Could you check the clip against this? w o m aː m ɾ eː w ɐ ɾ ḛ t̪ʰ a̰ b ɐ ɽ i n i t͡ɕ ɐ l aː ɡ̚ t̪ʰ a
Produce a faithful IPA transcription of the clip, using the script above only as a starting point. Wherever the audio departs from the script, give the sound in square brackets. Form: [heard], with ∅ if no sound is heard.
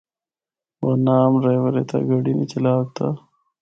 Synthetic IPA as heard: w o [n] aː m ɾ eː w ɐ ɾ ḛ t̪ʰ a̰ [ɡ] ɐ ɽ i n i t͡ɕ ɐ l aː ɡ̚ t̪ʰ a